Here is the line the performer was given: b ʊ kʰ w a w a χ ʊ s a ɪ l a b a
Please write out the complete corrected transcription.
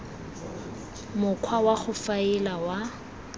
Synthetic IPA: m ʊ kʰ w a w a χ ʊ f a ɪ l a w a